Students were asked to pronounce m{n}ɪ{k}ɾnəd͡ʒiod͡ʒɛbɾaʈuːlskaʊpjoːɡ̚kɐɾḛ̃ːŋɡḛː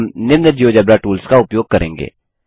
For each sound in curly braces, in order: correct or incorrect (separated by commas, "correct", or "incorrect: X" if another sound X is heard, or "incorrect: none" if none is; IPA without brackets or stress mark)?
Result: correct, incorrect: none